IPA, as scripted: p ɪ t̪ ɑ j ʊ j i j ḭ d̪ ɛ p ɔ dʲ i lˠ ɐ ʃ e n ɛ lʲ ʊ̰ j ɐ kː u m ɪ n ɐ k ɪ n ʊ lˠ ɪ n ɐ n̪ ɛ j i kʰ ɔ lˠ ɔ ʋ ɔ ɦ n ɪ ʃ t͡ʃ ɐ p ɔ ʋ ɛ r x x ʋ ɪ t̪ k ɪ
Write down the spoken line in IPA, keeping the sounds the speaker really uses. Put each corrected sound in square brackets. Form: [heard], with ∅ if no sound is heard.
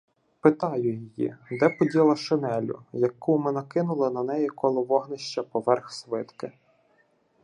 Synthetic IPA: p ɪ t̪ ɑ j ʊ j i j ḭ d̪ ɛ p ɔ dʲ i lˠ ɐ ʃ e n ɛ lʲ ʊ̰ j ɐ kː u m ɪ n ɐ k ɪ n ʊ lˠ ɪ n ɐ n̪ ɛ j i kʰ ɔ lˠ ɔ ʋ ɔ ɦ n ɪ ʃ t͡ʃ ɐ p ɔ ʋ ɛ r x [s] ʋ ɪ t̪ k ɪ